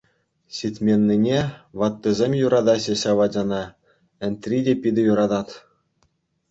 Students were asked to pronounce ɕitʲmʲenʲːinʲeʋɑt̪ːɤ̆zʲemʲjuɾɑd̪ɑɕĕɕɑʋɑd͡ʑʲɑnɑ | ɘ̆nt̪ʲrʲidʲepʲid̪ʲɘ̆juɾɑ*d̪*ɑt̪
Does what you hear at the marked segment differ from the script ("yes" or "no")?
no